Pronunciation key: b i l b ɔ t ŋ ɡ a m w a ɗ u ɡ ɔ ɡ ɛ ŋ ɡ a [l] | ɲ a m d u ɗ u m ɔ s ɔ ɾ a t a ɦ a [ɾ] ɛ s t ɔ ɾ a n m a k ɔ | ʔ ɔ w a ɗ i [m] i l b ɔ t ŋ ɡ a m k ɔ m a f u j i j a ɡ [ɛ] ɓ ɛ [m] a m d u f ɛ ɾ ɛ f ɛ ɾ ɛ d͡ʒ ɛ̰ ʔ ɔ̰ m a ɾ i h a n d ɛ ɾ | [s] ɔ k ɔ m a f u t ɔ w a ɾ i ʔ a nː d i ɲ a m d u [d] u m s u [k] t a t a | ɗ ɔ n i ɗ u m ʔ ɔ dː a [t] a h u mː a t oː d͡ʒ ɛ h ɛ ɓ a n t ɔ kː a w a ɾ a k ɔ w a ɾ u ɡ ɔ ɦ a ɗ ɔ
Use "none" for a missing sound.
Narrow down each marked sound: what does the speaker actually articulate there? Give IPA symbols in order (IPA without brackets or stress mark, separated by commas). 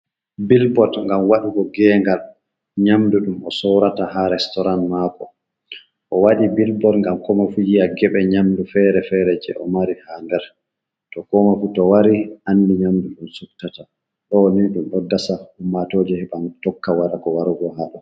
l, ɾ, b, ɛ, ɲ, t, ɗ, k, s